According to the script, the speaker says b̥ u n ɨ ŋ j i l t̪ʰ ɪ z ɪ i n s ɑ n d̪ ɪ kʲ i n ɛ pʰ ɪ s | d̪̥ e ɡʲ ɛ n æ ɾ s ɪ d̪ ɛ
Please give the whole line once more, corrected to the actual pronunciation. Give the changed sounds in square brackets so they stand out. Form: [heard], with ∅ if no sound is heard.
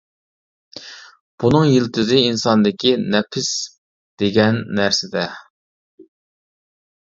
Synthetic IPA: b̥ u n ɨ ŋ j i l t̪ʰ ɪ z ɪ i n s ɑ n d̪ ɪ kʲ i n ɛ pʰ ɪ s | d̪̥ e ɡʲ ɛ [nː] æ ɾ s ɪ d̪ ɛ